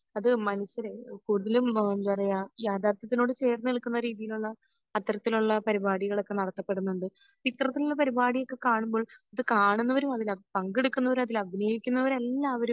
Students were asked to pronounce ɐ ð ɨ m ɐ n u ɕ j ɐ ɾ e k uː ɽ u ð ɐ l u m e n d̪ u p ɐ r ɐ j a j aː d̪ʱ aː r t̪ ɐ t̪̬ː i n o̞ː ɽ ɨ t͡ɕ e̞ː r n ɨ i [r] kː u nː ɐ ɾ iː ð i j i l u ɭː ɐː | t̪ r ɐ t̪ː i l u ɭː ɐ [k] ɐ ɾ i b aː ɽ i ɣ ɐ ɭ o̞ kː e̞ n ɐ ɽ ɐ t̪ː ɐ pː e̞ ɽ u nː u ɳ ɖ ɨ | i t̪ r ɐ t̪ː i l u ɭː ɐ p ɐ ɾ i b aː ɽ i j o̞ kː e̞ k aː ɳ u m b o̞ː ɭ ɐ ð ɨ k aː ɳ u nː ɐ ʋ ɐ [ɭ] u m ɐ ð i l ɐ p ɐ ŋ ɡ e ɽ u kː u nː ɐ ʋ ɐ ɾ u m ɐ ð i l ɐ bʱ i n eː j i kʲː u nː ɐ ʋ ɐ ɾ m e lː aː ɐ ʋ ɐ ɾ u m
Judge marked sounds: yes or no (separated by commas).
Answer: no, no, no